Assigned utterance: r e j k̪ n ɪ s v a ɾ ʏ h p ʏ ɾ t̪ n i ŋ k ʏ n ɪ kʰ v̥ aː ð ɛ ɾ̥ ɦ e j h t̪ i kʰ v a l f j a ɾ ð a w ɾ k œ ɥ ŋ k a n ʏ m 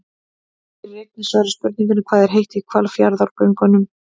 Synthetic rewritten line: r e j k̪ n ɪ s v a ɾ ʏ s p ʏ ɾ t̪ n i ŋ k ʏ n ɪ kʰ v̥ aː ð ɛ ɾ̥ ɦ e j h t̪ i kʰ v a l f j a ɾ ð a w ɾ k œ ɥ ŋ k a n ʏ m